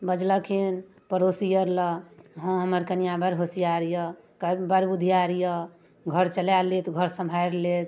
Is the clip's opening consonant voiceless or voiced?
voiced